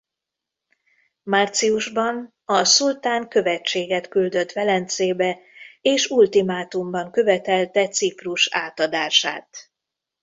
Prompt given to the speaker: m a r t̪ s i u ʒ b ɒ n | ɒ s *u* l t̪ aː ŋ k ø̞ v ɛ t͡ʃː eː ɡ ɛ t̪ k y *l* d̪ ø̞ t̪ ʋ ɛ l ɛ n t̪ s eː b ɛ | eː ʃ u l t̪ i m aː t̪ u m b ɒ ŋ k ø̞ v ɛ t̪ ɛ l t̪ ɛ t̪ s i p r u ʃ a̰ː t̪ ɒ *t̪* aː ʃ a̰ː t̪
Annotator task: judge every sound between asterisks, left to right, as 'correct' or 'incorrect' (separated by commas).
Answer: correct, correct, incorrect